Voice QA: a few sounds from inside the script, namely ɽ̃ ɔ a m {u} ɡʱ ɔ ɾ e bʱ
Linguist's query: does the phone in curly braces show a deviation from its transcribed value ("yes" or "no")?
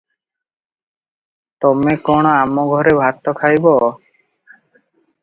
yes